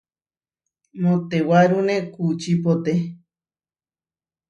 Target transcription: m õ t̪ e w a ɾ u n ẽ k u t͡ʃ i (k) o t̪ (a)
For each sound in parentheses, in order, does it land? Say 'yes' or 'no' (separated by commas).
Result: no, no